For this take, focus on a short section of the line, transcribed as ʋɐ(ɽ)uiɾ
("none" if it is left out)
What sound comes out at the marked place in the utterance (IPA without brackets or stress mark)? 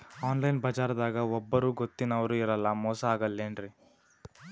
ɾ